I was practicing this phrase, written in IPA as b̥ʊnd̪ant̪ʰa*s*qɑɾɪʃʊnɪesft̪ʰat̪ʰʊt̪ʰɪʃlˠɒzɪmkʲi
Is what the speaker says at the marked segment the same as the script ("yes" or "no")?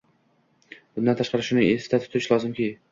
no